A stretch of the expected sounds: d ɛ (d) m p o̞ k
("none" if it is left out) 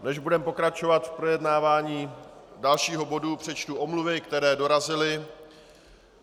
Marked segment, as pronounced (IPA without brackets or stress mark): none